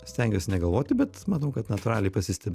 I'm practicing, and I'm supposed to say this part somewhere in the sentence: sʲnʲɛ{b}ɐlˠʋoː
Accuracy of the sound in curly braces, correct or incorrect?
incorrect